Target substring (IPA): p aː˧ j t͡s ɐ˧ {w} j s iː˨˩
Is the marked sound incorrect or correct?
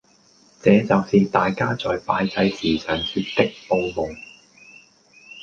incorrect: none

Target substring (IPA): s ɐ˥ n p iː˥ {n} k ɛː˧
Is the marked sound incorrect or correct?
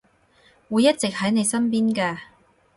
correct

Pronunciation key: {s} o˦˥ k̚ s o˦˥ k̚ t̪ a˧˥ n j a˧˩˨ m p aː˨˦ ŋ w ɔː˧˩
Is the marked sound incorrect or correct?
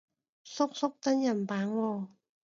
correct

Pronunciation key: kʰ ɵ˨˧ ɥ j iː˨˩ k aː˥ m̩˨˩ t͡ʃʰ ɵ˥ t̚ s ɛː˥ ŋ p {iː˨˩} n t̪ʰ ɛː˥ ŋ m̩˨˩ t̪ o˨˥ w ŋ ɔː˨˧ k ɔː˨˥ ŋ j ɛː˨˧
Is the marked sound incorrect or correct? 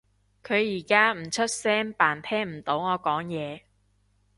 incorrect: aː˨˩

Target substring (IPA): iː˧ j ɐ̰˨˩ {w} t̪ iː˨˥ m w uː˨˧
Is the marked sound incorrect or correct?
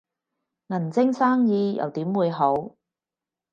correct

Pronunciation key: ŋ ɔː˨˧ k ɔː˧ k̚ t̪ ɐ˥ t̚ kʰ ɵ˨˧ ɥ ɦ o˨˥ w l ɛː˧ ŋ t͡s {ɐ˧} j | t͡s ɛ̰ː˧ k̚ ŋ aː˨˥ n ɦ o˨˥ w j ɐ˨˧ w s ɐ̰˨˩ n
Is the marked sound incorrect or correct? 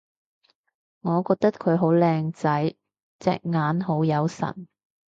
incorrect: ɐ˨˥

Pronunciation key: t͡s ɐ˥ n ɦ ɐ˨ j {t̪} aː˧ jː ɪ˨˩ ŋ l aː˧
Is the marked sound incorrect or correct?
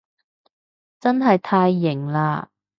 incorrect: t̪ʰ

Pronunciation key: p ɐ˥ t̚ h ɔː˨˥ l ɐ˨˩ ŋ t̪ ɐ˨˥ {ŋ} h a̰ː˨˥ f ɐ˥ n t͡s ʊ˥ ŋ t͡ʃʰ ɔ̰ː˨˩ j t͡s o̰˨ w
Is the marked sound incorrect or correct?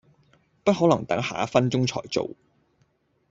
correct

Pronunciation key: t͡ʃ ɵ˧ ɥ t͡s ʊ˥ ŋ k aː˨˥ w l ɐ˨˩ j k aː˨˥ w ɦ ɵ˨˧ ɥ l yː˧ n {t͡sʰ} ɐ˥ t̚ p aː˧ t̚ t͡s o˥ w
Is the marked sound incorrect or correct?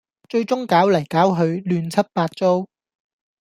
correct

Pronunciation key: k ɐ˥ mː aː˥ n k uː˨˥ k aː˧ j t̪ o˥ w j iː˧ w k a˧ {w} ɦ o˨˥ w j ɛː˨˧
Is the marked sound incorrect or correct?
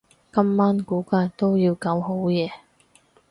correct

